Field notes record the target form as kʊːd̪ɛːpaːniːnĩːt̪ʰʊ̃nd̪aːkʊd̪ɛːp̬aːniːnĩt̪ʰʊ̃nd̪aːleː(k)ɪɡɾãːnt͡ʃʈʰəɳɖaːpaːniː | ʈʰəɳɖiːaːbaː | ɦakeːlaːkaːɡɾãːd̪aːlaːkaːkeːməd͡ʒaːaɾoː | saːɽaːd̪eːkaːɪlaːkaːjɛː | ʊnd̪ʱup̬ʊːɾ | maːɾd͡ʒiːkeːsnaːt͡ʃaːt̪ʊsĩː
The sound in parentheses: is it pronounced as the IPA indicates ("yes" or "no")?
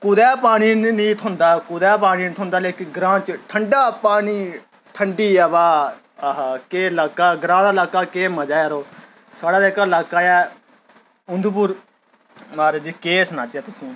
yes